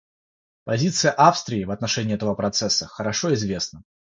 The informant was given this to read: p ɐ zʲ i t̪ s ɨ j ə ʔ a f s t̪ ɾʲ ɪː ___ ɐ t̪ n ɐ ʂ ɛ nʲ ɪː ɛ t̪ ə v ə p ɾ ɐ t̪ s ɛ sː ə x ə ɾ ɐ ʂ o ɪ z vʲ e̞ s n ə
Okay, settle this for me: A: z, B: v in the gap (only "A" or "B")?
B